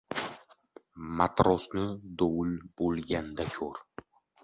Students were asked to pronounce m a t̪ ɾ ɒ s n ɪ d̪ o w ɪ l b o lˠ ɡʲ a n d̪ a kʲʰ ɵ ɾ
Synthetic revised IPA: m a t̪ ɾ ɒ s n ɪ d̪ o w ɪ l b o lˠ ɡʲ a n d̪ a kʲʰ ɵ ɾ